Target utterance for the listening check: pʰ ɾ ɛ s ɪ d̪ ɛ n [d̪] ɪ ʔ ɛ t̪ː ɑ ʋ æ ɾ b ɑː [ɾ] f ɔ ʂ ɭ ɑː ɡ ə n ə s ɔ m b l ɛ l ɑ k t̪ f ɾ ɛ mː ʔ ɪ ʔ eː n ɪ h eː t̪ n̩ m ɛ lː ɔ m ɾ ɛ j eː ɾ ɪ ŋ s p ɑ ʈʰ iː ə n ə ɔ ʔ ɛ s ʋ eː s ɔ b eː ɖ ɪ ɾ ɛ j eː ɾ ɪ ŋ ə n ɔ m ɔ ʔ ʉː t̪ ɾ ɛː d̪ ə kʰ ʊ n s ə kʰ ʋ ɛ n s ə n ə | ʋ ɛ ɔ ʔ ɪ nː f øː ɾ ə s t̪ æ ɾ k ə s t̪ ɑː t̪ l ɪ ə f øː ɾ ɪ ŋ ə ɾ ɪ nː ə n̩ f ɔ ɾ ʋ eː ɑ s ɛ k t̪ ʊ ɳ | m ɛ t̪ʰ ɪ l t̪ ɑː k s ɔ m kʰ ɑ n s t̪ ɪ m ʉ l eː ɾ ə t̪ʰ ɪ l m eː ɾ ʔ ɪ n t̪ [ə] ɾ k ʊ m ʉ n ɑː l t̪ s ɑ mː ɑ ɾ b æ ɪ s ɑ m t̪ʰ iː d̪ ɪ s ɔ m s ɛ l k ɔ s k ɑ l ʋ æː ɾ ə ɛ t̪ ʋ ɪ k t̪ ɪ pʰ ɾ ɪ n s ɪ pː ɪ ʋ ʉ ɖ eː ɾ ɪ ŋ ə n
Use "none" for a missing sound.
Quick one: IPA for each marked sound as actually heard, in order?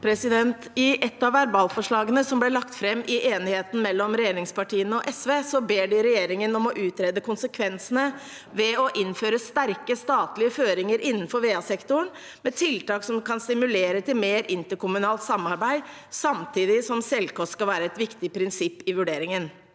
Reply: t̪, l, ə

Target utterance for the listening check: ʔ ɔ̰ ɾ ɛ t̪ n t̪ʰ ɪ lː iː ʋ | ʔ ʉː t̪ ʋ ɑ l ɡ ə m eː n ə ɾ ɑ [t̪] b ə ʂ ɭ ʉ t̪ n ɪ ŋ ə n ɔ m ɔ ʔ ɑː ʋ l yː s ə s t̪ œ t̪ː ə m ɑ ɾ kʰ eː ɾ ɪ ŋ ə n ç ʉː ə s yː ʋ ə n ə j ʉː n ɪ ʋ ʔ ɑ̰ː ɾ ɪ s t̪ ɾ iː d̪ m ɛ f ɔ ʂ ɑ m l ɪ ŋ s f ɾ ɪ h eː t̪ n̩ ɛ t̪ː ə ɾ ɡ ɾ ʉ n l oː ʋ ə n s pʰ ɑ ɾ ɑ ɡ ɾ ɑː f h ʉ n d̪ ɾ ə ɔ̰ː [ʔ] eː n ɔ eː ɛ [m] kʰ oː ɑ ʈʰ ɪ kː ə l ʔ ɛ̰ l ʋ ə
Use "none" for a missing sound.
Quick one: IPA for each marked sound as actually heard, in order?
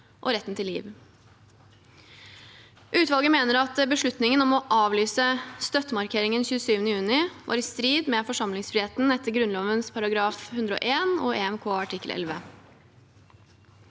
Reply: t̪, ʔ, m

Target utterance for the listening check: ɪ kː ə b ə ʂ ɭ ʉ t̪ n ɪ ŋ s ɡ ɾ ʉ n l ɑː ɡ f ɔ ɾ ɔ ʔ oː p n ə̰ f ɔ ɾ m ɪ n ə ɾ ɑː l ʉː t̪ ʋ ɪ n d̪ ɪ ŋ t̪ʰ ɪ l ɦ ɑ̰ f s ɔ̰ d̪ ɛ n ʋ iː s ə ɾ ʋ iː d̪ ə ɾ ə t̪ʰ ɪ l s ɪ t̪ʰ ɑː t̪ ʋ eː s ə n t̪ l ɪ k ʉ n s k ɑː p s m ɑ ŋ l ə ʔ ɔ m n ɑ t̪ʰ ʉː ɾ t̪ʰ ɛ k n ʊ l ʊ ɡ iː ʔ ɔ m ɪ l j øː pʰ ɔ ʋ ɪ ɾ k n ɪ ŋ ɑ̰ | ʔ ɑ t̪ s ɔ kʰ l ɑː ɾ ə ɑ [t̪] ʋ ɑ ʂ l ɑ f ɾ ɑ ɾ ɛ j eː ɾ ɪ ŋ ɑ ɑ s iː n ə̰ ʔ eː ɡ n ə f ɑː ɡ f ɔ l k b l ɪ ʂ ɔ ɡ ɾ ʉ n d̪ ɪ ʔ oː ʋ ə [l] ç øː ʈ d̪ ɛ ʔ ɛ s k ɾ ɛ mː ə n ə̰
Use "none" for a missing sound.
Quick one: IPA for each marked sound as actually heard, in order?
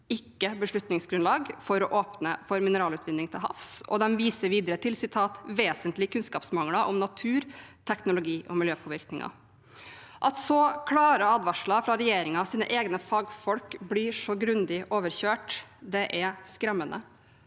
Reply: d̪, ɾ

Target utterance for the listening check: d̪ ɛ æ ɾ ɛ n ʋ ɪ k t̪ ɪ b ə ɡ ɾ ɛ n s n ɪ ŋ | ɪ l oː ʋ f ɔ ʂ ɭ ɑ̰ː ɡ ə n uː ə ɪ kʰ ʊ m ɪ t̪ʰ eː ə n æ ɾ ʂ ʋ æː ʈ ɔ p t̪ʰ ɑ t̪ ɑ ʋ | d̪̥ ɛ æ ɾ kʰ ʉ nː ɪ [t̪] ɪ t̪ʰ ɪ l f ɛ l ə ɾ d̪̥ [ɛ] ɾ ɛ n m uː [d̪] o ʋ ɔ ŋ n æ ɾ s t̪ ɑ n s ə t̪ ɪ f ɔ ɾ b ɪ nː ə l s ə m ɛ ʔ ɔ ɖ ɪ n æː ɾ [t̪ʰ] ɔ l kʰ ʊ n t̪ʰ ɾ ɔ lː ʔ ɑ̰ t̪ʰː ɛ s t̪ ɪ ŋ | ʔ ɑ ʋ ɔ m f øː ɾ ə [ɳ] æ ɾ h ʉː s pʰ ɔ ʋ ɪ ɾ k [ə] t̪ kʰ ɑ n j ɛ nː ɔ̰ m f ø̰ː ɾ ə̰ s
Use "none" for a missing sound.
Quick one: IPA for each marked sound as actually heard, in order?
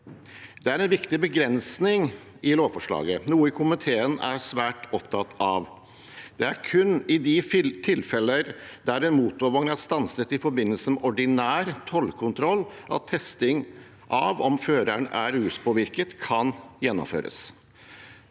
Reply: d̪, æ, t̪, t̪ʰ, ɳ, ə

